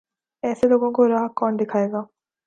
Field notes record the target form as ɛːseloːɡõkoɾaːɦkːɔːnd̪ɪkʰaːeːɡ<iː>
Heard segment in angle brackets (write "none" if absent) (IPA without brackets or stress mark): aː